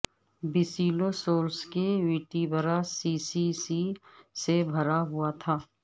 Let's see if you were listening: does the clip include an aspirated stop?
yes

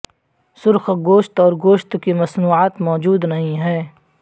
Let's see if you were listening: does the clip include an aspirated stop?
no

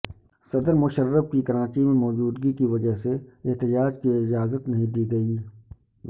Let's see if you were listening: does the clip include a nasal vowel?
yes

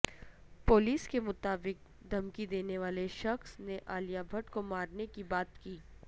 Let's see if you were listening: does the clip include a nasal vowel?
no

